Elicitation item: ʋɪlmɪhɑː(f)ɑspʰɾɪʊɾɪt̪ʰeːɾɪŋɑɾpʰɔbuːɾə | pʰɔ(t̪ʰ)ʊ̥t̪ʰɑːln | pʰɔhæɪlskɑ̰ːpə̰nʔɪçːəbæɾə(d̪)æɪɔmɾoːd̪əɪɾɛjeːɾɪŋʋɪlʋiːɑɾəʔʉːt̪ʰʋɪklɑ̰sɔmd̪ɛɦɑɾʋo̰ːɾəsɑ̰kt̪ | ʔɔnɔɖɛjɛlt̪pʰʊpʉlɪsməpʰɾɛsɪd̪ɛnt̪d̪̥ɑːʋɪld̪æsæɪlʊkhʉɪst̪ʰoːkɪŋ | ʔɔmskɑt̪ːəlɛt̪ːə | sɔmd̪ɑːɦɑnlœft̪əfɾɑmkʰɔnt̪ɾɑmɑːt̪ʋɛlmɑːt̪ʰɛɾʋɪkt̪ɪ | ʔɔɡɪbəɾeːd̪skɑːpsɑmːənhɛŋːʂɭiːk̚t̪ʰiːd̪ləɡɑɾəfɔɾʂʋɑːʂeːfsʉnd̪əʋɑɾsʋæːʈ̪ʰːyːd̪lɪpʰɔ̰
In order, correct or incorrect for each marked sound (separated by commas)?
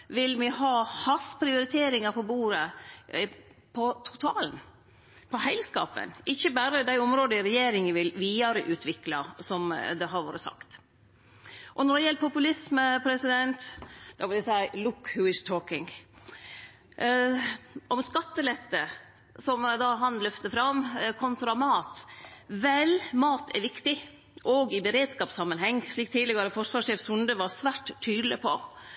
incorrect, correct, correct